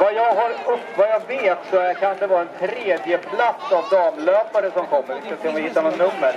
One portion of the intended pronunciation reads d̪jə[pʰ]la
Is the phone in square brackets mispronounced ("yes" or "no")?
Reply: no